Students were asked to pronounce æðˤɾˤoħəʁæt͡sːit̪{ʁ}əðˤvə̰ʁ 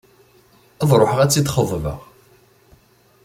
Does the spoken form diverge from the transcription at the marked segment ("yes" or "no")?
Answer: yes